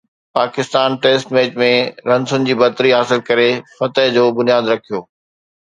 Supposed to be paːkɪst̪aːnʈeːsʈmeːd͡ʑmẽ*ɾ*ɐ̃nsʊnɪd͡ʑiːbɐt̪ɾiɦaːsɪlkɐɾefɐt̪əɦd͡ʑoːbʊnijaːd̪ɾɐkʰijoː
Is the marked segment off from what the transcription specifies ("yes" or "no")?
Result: no